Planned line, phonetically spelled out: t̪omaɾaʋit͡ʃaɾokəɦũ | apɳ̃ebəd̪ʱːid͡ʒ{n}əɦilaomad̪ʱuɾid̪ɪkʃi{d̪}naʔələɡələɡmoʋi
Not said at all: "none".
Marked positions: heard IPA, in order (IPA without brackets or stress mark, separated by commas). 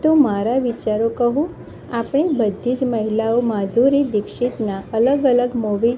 m, t̪